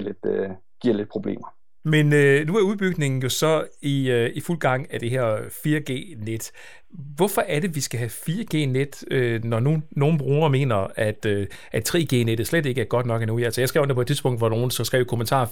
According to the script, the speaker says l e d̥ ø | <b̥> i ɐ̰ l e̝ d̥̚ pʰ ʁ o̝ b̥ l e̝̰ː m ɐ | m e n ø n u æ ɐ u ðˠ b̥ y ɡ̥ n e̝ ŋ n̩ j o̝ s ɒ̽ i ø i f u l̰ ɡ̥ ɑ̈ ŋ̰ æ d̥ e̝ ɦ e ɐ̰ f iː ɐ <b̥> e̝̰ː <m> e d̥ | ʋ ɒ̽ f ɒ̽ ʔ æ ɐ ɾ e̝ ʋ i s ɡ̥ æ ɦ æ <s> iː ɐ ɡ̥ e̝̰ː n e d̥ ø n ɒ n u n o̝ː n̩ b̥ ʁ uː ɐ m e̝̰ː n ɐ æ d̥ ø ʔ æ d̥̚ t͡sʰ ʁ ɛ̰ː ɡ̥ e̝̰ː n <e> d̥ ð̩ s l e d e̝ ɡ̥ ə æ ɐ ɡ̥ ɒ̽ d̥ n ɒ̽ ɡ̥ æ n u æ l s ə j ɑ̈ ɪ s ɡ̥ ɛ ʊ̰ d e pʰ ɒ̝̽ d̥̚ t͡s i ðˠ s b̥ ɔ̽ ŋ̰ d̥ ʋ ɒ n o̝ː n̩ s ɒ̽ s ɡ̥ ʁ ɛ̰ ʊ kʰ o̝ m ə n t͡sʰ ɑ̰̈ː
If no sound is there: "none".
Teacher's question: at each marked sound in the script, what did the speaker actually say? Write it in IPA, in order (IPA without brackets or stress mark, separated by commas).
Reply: ɡ̥, ɡ̥, n, f, e